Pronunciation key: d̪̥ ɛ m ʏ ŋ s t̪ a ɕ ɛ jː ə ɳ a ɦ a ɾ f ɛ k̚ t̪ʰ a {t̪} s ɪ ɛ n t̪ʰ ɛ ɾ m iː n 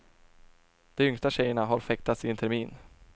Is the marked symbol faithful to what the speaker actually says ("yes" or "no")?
yes